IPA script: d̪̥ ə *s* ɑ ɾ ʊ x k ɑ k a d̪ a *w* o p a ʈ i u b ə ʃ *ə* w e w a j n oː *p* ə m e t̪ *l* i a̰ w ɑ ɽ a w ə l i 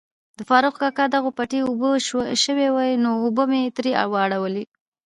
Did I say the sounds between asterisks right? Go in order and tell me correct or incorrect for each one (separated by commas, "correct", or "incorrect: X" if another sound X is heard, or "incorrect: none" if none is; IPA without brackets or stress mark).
incorrect: f, incorrect: ɣ, correct, incorrect: b, incorrect: ɾ